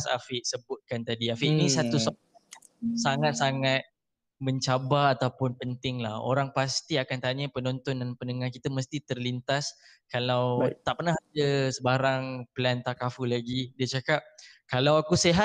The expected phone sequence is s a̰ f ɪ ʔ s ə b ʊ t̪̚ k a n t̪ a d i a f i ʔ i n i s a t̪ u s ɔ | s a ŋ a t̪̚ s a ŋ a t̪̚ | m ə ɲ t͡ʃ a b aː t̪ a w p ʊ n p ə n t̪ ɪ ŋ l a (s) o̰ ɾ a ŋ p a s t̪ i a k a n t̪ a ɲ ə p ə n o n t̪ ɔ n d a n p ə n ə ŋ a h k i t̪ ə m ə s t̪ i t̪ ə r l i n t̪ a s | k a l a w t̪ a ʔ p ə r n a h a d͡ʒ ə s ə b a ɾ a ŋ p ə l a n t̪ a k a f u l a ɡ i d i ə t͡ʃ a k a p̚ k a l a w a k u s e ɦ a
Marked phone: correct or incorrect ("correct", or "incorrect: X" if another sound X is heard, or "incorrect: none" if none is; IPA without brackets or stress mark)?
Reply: incorrect: h